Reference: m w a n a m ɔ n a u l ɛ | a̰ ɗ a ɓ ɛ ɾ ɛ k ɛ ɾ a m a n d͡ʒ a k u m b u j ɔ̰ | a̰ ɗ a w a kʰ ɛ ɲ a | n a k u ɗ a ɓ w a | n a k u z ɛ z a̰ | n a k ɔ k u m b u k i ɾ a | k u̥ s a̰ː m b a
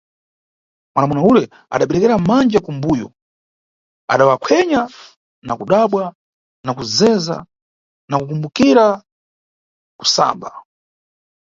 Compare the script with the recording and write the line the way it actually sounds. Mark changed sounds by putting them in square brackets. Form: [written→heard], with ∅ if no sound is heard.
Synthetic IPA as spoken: m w a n a m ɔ n a u l ɛ | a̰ ɗ a ɓ ɛ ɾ ɛ k ɛ ɾ a m a n d͡ʒ a k u m b u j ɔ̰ | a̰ ɗ a w a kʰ ɛ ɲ a | n a k u ɗ a ɓ w a | n a k u z ɛ z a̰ | n a k [ɔ→u] k u m b u k i ɾ a | k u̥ s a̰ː m b a